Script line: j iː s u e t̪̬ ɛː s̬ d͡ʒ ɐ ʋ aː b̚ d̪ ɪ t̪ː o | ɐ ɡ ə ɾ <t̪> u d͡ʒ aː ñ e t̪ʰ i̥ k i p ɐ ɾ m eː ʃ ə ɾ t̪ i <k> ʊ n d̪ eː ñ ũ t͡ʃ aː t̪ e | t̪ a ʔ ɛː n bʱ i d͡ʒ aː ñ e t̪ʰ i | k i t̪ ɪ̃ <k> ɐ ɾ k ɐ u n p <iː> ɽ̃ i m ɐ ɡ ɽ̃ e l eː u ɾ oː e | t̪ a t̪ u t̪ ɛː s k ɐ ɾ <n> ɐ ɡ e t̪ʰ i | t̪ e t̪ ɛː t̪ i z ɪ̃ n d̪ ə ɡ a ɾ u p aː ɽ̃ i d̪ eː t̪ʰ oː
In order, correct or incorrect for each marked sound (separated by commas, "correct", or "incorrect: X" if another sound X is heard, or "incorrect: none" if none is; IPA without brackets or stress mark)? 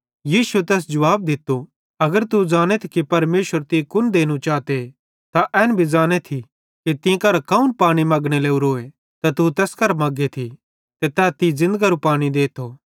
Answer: correct, correct, correct, incorrect: aː, incorrect: m